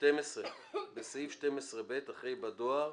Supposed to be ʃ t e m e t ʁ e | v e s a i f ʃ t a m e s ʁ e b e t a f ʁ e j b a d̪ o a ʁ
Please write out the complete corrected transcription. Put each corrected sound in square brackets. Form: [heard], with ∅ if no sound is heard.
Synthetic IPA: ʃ t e m e [s] ʁ e | [b] e s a i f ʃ t [e] m e s ʁ e b e t a [χ] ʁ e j b a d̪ o a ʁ